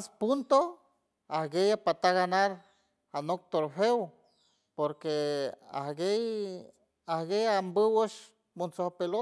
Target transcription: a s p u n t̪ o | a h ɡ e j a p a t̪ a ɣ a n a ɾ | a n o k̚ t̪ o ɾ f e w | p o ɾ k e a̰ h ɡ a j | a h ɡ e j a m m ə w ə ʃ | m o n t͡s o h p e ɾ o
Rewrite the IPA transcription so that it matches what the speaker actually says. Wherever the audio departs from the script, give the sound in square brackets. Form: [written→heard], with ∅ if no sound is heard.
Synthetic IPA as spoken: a s p u n t̪ o | a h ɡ e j a p a t̪ a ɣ a n a ɾ | a n o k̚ t̪ o ɾ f e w | p o ɾ k e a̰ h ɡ [a→e] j | a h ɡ e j a m [m→b] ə w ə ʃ | m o n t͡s o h p e [ɾ→l] o

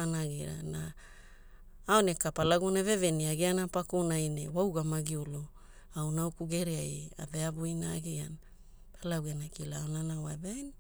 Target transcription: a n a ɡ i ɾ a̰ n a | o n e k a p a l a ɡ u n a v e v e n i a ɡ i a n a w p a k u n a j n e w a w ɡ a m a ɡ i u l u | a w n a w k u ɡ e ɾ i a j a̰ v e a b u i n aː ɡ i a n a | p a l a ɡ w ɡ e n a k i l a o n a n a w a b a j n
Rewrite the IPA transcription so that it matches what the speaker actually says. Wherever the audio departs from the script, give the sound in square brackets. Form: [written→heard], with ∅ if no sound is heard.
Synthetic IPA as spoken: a n a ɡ i ɾ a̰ n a | o n e k a p a l a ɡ u n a v e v e n i a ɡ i a n a [w→∅] p a k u n a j n e w a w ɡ a m a ɡ i u l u | a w n a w k u ɡ e ɾ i a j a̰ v e a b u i n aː ɡ i a n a | p a l a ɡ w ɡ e n a k i l a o n a n a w a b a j n

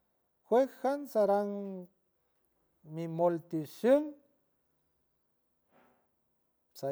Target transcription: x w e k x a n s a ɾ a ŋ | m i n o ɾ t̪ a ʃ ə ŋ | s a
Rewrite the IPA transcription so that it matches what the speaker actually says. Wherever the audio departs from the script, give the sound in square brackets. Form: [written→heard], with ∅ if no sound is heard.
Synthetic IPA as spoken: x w e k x a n s a ɾ a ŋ | m i [n→m] o [ɾ→l] t̪ [a→i] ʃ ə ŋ | s a

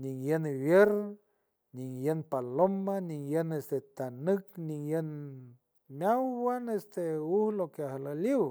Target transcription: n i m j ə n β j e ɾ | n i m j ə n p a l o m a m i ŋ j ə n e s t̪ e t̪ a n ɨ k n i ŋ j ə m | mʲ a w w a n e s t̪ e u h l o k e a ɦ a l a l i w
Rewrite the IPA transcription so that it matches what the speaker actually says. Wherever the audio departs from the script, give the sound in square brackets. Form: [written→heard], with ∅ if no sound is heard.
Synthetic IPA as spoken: n i [m→ŋ] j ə n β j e ɾ | n i [m→ŋ] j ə n p a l o m a [m→n] i ŋ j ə n e s t̪ e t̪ a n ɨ k n i ŋ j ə [m→n] | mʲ a w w a n e s t̪ e u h l o k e a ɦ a l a l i w

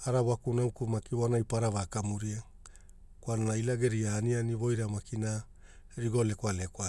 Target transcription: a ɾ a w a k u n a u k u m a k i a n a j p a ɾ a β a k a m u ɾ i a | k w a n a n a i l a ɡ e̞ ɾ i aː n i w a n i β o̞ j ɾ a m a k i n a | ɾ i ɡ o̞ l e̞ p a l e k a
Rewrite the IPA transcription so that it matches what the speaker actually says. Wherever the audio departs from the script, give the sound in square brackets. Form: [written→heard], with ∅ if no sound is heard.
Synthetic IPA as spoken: a ɾ a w a k u n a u k u m a k i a n a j p a ɾ a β a k a m u ɾ i a | k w a n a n a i l a ɡ e̞ ɾ i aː n i [w→∅] a n i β o̞ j ɾ a m a k i n a | ɾ i ɡ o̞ l e̞ [p→k] a l e k a

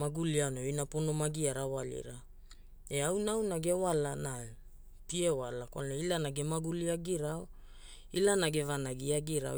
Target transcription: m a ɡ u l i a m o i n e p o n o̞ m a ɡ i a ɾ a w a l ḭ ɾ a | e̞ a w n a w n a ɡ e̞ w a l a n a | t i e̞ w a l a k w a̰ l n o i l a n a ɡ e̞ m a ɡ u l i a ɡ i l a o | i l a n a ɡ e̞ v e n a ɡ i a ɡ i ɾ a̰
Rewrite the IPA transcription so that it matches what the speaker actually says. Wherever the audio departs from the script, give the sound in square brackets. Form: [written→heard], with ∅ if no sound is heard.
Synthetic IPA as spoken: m a ɡ u l i a [m→n] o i n [e→a] p o n o̞ m a ɡ i a ɾ a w a l ḭ ɾ a | e̞ a w n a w n a ɡ e̞ w a l a n a | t i e̞ w a l a k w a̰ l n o i l a n a ɡ e̞ m a ɡ u l i a ɡ i [l→ɾ] a o | i l a n a ɡ e̞ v [e→a] n a ɡ i a ɡ i ɾ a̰

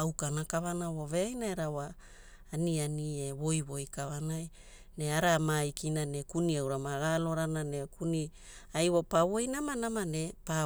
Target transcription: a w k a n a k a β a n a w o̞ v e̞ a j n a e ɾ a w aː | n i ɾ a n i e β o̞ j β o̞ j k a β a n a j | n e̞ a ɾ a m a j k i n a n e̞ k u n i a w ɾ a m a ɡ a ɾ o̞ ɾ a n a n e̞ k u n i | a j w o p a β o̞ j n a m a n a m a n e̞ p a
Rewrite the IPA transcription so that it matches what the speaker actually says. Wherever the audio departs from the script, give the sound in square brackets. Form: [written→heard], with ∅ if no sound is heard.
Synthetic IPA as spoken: a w k a n a k a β a n a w o̞ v e̞ a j n a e ɾ a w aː | n i [ɾ→∅] a n i e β o̞ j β o̞ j k a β a n a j | n e̞ a ɾ a m a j k i n a n e̞ k u n i a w ɾ a m a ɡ a [ɾ→l] o̞ ɾ a n a n e̞ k u n i | a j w o p a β o̞ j n a m a n a m a n e̞ p a

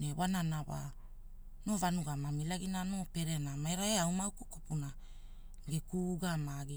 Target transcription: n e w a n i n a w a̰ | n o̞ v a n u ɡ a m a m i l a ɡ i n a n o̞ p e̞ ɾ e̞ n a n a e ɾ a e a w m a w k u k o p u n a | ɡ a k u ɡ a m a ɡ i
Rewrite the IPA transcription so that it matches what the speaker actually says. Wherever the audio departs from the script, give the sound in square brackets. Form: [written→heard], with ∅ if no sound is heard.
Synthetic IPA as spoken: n e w a n [i→a] n a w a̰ | n o̞ v a n u ɡ a m a m i l a ɡ i n a n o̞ p e̞ ɾ e̞ n a [n→m] a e ɾ a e a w m a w k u k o p u n a | ɡ [a→e] k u ɡ a m a ɡ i

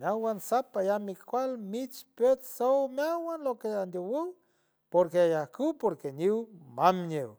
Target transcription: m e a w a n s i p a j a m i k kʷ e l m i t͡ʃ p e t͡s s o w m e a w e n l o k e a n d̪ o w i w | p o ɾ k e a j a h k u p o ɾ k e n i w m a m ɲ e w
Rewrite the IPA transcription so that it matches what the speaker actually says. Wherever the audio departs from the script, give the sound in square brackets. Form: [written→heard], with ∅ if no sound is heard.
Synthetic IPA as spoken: m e a w a n s [i→a] p a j a m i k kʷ [e→a] l m i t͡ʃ p e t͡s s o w m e a w [e→a] n l o k e a n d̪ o w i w | p o ɾ k e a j a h k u p o ɾ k e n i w m a m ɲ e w

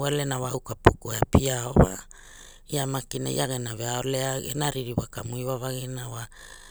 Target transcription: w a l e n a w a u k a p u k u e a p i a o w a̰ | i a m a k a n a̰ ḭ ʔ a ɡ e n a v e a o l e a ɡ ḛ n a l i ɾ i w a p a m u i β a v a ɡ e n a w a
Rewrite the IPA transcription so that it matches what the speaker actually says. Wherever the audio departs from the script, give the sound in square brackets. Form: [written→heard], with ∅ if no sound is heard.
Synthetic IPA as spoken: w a l e n a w a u k a p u k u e a p i a o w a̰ | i a m a k [a→i] n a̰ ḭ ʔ a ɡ e n a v e a o l e a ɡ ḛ n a [l→ɾ] i ɾ i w a [p→k] a m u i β a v a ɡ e n a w a

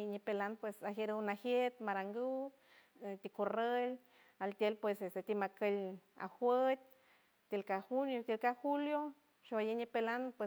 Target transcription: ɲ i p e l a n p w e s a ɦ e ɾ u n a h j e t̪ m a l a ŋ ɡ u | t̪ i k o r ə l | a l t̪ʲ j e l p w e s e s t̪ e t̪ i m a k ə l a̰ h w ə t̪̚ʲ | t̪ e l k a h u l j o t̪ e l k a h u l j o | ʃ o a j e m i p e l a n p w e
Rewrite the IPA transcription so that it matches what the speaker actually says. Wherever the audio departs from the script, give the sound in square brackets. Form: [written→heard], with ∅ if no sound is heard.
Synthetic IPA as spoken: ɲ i p e l a n p w e s a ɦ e ɾ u n a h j e t̪ m a [l→ɾ] a ŋ ɡ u | t̪ i k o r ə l | a l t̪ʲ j e l p w e s e s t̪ e t̪ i m a k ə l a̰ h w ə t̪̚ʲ | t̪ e l k a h u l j o t̪ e l k a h u l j o | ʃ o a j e [m→ɲ] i p e l a n p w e

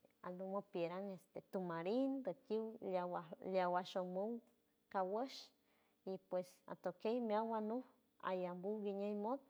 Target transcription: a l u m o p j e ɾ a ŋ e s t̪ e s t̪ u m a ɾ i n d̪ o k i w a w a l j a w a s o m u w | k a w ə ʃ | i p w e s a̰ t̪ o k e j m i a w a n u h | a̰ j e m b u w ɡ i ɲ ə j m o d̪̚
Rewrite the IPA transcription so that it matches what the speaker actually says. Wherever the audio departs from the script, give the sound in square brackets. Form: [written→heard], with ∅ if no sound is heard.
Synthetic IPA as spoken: a l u m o p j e ɾ a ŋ e s t̪ e [s→∅] t̪ u m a ɾ i n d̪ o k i w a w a l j a w a [s→ʃ] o m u w | k a w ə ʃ | i p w e s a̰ t̪ o k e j m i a w a n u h | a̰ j [e→a] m b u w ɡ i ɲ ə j m o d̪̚

